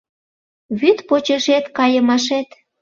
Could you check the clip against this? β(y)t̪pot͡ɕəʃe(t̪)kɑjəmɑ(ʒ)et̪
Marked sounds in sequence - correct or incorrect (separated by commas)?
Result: correct, correct, incorrect